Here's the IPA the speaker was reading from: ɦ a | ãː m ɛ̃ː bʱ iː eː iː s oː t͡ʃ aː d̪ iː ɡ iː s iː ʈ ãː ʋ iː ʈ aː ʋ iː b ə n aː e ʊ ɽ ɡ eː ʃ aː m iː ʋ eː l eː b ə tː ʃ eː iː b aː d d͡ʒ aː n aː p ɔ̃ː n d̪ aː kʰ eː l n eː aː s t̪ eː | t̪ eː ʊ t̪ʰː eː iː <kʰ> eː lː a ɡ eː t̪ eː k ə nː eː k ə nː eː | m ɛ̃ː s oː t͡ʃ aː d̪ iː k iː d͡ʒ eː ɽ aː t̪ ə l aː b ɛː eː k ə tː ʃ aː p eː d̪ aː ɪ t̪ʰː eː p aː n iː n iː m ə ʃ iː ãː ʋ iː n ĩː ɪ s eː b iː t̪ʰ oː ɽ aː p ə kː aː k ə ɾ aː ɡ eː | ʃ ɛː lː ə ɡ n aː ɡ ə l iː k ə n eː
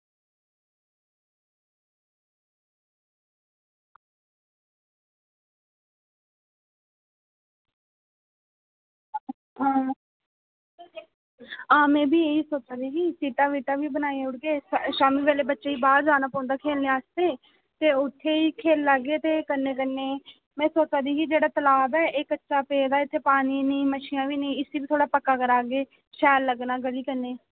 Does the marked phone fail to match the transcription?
no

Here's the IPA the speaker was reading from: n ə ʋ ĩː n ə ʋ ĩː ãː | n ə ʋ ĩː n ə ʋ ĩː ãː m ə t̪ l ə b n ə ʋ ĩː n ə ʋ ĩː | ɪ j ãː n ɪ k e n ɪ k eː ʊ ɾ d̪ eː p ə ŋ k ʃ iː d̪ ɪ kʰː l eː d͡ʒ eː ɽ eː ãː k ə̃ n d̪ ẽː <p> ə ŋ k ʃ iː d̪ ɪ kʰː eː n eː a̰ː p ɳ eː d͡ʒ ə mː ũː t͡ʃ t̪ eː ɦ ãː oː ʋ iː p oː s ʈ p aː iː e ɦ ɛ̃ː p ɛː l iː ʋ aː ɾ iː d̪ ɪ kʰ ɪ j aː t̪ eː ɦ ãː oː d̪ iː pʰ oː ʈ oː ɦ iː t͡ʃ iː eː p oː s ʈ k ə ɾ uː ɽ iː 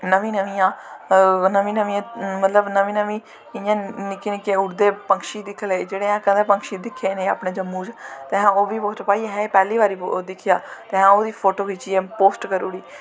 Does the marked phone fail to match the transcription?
no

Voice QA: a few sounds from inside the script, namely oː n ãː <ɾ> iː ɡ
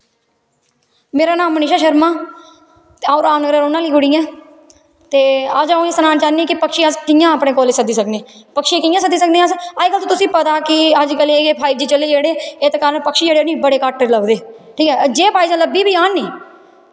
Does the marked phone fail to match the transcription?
yes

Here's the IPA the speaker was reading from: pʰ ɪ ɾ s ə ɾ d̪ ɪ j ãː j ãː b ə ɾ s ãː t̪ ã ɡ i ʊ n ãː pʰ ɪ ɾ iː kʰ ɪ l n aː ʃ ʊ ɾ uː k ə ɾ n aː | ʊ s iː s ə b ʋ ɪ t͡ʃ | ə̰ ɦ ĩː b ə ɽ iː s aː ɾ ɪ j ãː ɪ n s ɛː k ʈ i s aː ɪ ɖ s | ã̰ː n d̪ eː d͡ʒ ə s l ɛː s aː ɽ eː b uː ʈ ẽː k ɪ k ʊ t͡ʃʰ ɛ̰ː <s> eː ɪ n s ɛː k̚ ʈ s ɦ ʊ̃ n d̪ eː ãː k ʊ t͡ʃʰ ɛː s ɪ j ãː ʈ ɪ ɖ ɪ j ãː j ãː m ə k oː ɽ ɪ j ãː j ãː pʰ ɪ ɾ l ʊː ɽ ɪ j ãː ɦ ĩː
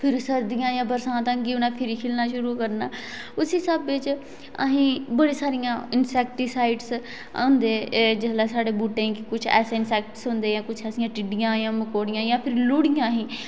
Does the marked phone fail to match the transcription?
no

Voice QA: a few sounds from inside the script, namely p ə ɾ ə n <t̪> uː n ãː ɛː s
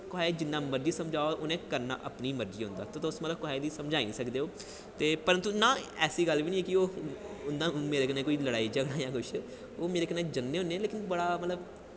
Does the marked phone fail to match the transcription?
no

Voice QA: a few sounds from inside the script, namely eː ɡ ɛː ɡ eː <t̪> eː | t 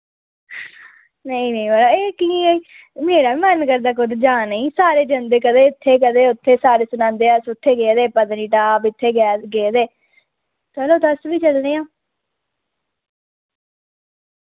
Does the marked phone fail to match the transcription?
yes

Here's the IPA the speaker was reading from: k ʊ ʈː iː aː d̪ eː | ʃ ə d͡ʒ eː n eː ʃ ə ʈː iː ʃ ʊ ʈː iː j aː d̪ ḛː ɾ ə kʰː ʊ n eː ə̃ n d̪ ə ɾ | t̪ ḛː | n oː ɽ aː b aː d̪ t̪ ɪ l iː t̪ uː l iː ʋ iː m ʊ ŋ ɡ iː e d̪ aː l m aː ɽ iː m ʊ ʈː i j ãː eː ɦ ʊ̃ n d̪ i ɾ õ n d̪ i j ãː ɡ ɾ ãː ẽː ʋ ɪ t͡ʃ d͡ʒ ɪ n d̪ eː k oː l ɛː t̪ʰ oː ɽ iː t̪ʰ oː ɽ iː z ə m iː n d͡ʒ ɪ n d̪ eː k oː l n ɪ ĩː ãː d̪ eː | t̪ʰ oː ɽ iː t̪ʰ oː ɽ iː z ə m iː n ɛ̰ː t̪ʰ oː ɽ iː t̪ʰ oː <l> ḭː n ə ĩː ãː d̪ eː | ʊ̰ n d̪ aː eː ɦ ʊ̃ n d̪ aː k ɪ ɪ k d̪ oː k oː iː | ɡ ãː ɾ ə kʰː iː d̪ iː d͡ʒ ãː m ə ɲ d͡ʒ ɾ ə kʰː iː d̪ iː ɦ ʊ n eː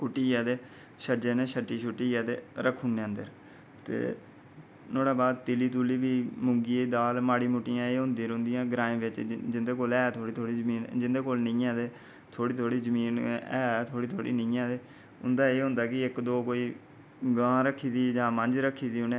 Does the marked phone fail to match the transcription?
yes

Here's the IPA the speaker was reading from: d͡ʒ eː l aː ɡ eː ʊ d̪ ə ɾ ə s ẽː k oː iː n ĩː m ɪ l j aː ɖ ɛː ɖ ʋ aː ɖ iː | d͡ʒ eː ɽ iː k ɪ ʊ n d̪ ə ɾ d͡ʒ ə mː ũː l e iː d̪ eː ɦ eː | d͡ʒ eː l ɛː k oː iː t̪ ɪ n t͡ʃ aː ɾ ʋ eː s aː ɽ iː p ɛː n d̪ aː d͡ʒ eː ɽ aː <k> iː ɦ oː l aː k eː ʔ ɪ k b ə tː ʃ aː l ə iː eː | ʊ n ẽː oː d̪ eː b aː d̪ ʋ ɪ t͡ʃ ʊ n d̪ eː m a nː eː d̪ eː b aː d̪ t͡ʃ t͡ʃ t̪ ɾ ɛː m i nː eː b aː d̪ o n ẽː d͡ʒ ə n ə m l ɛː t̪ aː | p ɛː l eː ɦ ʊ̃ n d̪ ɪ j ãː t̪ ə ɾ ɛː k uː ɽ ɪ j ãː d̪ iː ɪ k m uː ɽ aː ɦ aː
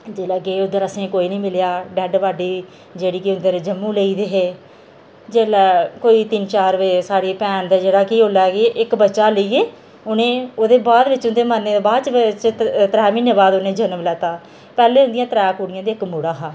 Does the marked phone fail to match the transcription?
no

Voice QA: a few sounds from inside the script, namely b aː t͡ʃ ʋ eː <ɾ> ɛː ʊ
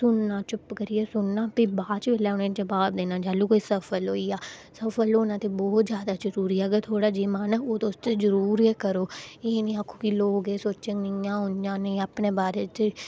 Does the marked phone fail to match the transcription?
yes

